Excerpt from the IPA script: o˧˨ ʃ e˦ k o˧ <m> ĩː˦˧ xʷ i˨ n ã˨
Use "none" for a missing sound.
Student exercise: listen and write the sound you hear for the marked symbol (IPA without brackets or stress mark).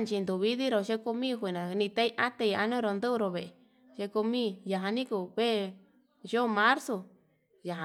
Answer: m